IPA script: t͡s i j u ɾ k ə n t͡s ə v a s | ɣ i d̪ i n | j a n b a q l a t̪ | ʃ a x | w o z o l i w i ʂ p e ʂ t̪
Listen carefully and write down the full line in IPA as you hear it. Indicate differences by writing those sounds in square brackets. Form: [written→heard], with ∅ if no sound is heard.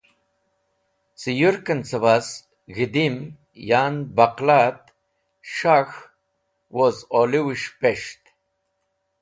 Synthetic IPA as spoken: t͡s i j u ɾ k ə n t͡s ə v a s | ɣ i d̪ i [n→m] | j a n b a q l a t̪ | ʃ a x | w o z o l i w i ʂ p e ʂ t̪